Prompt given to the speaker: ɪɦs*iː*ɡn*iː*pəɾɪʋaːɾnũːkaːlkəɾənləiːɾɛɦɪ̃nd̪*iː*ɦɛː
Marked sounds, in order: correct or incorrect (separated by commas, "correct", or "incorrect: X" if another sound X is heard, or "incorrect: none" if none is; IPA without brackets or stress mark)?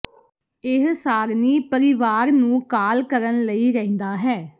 incorrect: aː, correct, incorrect: aː